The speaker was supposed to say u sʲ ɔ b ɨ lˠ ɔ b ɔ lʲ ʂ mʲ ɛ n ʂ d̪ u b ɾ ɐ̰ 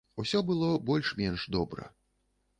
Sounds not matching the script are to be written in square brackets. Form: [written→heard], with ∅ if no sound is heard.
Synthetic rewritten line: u sʲ ɔ b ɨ lˠ ɔ b ɔ lʲ ʂ mʲ ɛ n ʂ d̪ [u→ɔ] b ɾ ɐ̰

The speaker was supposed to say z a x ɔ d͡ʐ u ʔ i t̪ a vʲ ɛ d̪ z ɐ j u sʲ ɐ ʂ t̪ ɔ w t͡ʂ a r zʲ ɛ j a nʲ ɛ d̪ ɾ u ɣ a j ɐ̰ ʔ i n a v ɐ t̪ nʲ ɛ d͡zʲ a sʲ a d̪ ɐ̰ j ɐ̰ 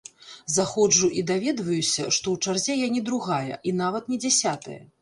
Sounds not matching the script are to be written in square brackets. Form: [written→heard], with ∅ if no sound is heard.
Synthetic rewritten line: z a x ɔ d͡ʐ u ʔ i [t̪→d̪] a vʲ ɛ d̪ [z→v] ɐ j u sʲ ɐ ʂ t̪ ɔ w t͡ʂ a r zʲ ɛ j a nʲ ɛ d̪ ɾ u ɣ a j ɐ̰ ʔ i n a v ɐ t̪ nʲ ɛ d͡zʲ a sʲ a [d̪→t̪] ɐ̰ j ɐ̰

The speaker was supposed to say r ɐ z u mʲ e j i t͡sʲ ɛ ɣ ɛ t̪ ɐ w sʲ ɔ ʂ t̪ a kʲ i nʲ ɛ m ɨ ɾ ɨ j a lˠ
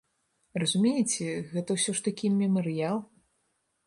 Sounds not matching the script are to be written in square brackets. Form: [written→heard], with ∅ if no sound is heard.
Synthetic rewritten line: r ɐ z u mʲ e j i t͡sʲ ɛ ɣ ɛ t̪ ɐ w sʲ ɔ ʂ t̪ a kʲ i [nʲ→mʲ] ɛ m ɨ ɾ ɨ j a lˠ

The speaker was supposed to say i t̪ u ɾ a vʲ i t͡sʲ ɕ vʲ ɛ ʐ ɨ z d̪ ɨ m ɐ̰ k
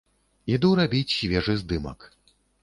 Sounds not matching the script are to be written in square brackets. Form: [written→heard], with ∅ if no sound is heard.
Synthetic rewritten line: i [t̪→d̪] u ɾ a [vʲ→bʲ] i t͡sʲ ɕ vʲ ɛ ʐ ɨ z d̪ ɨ m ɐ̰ k

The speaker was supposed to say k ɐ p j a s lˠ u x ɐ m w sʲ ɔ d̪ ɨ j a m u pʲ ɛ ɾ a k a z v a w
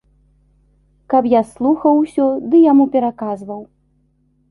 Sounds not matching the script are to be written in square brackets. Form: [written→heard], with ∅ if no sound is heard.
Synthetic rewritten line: k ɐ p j a s lˠ u x ɐ [m→∅] w sʲ ɔ d̪ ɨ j a m u pʲ ɛ ɾ a k a z v [a→ɐ] w

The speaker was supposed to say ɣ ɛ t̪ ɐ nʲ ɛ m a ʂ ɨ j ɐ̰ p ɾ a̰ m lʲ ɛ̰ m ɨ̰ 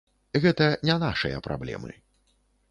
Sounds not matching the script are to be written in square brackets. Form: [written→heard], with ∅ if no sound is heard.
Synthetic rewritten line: ɣ ɛ t̪ ɐ nʲ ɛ [m→n] a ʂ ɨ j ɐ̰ p ɾ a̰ [m→b] lʲ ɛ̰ m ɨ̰

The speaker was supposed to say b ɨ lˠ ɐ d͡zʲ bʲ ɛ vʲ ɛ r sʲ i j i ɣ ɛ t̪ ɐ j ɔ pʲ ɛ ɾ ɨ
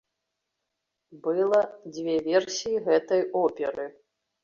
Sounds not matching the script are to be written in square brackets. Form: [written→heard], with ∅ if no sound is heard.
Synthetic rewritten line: b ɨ lˠ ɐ d͡zʲ [bʲ→vʲ] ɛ vʲ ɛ r sʲ i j i ɣ ɛ t̪ ɐ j ɔ pʲ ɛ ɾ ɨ

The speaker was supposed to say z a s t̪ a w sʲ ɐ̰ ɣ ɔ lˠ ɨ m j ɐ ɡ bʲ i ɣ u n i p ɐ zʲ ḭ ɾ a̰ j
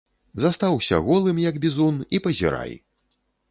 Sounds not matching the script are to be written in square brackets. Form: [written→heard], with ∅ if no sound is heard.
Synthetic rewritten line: z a s t̪ a w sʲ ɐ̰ ɣ ɔ lˠ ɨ m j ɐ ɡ bʲ i [ɣ→z] u n i p ɐ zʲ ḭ ɾ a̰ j

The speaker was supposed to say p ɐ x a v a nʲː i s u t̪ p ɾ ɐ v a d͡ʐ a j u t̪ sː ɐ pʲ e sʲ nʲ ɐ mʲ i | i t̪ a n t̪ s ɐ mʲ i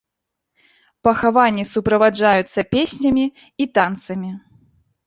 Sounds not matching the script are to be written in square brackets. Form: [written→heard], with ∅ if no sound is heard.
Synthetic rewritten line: p ɐ x a v a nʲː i s u [t̪→∅] p ɾ ɐ v a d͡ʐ a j u t̪ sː ɐ pʲ e sʲ nʲ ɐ mʲ i | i t̪ a n t̪ s ɐ mʲ i

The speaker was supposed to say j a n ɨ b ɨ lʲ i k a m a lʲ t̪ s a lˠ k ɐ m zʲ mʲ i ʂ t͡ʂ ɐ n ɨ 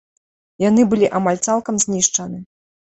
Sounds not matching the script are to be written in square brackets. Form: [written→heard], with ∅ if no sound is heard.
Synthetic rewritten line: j a n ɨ b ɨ lʲ i [k→ʔ] a m a lʲ t̪ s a lˠ k ɐ m zʲ [mʲ→nʲ] i ʂ t͡ʂ ɐ n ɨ

